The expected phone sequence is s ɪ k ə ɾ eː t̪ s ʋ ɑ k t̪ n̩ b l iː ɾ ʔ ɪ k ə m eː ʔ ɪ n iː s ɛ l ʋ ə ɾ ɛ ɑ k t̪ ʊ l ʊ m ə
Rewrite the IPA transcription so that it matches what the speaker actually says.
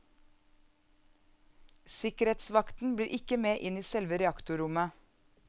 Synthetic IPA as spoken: s ɪ k ə ɾ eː t̪ s ʋ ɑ k t̪ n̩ b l iː ɾ ʔ ɪ k ə m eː ʔ ɪ n iː s ɛ l ʋ ə ɾ ɛ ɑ k t̪ ʊ ɾ ʊ m ə